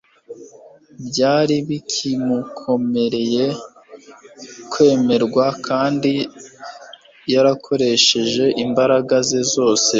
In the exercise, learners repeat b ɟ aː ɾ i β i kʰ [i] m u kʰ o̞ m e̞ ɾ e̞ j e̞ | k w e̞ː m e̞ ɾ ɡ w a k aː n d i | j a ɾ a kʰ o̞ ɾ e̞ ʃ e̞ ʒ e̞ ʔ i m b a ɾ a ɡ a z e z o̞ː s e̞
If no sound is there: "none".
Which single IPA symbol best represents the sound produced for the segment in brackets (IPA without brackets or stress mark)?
i